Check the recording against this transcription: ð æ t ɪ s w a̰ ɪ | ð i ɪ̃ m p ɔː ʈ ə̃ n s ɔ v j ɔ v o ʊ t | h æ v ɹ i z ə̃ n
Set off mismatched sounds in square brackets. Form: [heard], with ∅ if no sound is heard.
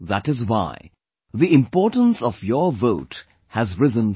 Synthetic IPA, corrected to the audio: ð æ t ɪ [z] w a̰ ɪ | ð i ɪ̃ m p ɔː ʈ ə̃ n s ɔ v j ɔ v o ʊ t | h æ [z] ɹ [ɪ] z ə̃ n